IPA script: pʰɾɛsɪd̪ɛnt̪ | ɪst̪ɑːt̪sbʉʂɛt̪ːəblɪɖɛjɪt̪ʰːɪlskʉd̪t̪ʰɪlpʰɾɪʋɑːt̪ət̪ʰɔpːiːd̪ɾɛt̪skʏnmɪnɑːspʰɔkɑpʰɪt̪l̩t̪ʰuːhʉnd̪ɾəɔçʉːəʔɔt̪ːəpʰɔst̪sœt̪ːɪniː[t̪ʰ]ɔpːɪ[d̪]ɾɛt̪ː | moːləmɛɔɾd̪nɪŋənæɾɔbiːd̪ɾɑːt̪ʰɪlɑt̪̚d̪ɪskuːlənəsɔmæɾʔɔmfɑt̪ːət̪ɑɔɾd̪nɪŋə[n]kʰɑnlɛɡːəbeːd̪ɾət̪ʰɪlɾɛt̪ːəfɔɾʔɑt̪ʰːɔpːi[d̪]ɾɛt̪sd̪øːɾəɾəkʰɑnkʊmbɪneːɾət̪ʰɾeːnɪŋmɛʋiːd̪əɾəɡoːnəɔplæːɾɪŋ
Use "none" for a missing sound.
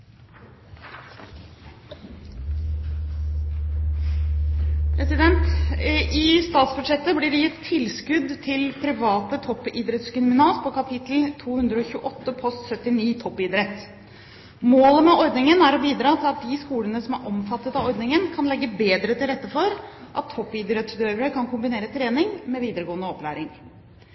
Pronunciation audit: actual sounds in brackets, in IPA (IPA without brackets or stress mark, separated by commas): t̪ʰ, d̪, n, d̪